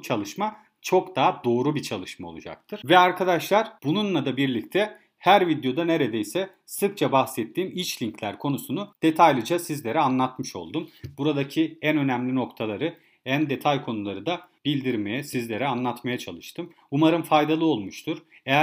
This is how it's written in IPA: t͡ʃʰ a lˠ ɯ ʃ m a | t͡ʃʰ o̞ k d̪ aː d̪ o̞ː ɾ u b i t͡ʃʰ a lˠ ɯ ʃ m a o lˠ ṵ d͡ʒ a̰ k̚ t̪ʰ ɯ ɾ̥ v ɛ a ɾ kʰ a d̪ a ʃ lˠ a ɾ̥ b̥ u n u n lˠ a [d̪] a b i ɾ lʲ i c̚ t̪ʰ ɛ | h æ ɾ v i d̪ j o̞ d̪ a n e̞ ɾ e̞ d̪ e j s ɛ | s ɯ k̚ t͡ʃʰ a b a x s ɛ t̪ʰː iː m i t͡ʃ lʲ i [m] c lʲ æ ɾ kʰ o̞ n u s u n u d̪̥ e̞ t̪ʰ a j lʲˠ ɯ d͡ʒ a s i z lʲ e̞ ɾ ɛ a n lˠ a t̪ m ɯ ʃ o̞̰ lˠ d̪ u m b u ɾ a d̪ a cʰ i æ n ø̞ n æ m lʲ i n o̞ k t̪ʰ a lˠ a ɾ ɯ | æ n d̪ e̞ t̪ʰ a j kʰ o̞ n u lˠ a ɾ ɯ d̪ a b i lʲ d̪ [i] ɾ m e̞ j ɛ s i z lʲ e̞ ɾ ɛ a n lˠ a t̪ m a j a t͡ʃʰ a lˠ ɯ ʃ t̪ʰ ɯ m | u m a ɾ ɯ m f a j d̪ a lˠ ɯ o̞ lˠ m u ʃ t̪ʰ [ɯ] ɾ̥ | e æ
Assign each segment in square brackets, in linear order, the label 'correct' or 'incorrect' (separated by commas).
correct, incorrect, correct, incorrect